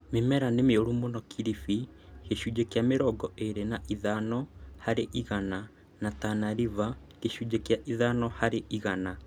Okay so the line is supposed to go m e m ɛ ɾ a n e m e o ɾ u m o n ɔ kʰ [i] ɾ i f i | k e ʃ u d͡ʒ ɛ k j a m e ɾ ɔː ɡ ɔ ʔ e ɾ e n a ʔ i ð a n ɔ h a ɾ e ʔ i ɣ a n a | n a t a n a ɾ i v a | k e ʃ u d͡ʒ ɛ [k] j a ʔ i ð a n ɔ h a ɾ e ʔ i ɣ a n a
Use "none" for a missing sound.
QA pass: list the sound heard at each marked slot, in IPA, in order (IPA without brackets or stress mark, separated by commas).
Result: i, k